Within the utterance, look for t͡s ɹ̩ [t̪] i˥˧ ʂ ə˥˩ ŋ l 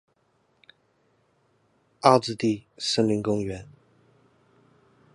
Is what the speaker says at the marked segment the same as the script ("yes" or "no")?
yes